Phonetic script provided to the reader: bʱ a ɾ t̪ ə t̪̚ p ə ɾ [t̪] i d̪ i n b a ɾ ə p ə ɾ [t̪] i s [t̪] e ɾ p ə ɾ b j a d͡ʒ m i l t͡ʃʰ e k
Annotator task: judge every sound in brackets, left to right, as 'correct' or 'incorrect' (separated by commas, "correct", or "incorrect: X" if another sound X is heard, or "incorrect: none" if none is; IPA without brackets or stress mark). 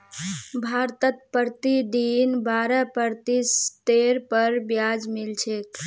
correct, correct, correct